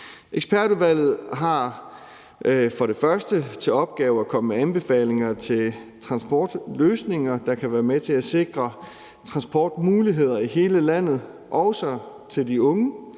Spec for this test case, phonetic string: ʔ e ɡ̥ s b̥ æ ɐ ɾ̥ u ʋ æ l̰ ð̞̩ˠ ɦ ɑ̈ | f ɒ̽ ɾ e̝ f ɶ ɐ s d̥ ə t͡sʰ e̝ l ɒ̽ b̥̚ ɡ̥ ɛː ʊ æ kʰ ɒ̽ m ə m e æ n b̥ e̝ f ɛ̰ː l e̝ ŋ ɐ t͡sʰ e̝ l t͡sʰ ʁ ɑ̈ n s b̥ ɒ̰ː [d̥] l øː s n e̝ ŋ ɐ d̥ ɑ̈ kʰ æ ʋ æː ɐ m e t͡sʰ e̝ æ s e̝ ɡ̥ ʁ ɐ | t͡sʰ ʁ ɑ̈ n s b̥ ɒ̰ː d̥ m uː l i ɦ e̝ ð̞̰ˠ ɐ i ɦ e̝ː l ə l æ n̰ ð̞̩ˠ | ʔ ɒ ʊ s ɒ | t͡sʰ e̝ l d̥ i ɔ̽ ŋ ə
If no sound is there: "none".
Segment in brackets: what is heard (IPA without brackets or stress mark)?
d̥